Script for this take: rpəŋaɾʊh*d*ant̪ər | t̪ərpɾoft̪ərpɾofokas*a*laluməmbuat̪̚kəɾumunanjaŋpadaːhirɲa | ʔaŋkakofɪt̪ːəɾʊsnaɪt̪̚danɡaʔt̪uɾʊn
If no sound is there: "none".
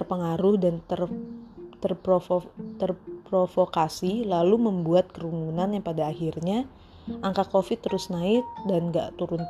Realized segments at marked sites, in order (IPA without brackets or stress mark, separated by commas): d, i